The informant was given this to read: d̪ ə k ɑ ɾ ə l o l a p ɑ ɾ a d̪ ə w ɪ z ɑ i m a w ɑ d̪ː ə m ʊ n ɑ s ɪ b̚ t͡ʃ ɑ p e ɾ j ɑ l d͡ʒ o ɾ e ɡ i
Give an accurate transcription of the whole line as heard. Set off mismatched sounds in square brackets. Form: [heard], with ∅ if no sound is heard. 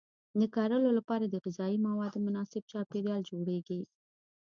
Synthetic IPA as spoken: d̪ ə k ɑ ɾ ə l o l a p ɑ ɾ a d̪ ə [ɣ] ɪ z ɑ i m a w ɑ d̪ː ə m ʊ n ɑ s ɪ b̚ t͡ʃ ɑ p e ɾ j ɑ l d͡ʒ o [ɽ] e ɡ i